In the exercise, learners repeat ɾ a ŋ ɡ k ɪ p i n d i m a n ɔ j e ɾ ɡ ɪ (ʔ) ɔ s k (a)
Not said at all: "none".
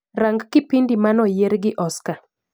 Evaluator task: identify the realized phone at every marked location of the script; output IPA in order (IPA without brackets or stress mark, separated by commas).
ʔ, a